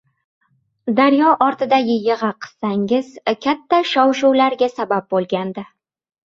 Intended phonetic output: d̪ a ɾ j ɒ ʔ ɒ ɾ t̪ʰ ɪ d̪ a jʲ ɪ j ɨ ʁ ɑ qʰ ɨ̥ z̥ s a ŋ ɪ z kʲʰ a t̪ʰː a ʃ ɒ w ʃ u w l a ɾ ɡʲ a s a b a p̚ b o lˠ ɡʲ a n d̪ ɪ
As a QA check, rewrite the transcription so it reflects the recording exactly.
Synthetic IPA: d̪ a ɾ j ɒ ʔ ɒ ɾ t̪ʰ ɪ d̪ a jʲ ɪ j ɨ ʁ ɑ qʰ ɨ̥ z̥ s a ŋ ɪ z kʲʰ a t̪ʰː a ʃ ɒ w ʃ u w l a ɾ ɡʲ a s a b a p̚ b o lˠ ɡʲ a n d̪ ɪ